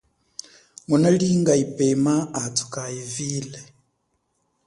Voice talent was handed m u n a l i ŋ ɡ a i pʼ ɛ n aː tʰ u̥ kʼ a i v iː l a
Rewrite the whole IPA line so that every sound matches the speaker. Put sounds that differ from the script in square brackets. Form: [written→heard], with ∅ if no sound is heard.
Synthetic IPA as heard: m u n a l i ŋ ɡ a i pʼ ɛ [n→m] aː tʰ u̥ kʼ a i v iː l [a→ɛ]